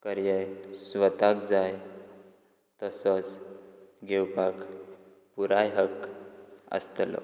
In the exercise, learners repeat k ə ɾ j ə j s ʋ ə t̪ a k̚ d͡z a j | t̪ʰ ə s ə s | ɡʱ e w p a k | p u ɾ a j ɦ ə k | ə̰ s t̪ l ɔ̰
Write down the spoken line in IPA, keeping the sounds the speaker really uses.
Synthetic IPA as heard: k ə ɾ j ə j s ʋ ə t̪ a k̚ d͡z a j | t̪ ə s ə t͡s | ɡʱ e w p a k | p u ɾ a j ɦ ə k | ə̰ s t̪ l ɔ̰